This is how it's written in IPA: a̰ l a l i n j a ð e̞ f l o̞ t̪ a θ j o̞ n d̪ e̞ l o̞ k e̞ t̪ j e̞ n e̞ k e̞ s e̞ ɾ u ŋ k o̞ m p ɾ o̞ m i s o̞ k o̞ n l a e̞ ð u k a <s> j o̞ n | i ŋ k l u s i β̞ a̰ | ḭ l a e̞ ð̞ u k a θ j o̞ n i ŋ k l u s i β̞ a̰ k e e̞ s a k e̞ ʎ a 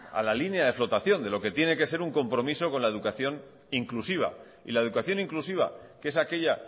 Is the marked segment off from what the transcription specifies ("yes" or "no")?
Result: yes